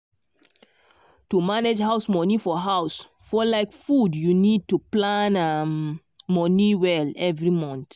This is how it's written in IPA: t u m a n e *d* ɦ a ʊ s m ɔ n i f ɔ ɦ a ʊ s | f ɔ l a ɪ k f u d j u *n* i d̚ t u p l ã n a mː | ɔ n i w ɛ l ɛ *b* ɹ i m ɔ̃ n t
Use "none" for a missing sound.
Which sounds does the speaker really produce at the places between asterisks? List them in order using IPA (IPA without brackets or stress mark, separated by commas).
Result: d͡ʒ, n, v